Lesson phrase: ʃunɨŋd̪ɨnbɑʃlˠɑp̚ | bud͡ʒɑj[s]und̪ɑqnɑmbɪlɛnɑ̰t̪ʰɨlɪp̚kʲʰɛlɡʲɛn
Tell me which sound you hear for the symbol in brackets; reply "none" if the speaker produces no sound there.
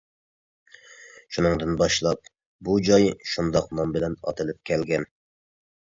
ʃ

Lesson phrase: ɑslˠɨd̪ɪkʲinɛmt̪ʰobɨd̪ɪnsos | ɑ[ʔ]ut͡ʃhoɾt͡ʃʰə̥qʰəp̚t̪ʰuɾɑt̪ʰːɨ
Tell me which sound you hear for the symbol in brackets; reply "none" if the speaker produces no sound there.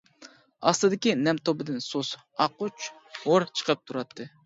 q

